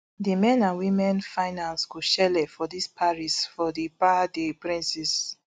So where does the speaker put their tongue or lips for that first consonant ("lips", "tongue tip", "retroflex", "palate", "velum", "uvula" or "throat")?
tongue tip